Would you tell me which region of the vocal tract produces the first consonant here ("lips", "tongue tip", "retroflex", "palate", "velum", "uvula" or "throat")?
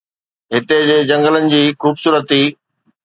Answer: throat